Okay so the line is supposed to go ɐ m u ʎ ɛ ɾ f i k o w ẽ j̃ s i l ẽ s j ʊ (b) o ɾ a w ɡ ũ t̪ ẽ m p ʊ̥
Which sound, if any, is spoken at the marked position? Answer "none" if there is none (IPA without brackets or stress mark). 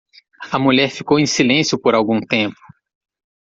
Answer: p